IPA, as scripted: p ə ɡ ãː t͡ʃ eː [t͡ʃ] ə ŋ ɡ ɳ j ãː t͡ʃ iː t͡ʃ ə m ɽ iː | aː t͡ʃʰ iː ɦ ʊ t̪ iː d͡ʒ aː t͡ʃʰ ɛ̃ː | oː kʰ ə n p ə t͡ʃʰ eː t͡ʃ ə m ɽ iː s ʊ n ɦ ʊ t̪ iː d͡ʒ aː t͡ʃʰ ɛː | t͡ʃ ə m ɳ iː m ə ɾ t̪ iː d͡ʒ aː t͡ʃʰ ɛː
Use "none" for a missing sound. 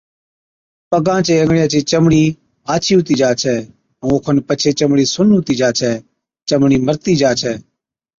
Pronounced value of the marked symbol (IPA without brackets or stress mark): none